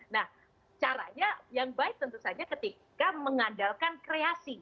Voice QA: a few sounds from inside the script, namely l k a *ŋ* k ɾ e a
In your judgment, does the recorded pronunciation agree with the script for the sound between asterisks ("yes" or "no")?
no